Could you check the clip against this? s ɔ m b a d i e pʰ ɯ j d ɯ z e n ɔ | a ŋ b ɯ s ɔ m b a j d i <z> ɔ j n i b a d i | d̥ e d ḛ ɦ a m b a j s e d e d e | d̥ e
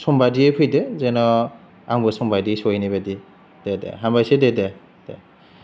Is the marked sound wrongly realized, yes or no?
yes